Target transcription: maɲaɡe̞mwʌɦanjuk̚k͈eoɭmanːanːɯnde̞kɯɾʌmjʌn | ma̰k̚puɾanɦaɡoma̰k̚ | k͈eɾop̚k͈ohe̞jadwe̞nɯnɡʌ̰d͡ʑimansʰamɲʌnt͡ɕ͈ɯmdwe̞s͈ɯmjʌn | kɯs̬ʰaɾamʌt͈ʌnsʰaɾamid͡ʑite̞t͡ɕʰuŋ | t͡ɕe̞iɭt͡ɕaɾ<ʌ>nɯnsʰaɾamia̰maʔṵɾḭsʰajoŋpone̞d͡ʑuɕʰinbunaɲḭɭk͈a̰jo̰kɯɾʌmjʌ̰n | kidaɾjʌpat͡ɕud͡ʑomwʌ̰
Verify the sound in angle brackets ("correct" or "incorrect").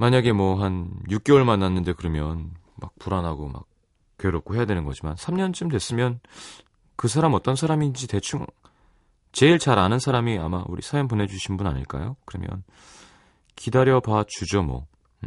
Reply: incorrect